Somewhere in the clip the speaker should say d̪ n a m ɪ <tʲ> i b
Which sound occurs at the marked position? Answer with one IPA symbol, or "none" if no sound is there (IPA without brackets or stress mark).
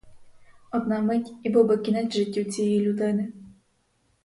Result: tʲ